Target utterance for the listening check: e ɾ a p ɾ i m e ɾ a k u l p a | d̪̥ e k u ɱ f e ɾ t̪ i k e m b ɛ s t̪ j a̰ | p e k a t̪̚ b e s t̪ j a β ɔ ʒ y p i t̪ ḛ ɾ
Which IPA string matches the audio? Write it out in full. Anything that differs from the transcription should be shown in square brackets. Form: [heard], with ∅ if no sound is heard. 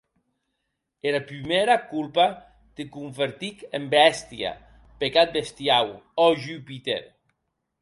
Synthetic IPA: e ɾ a p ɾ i m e ɾ a k u l p a | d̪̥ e k u ɱ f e ɾ t̪ i k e m b ɛ s t̪ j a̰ | p e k a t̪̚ b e s t̪ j a [w] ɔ ʒ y p i t̪ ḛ ɾ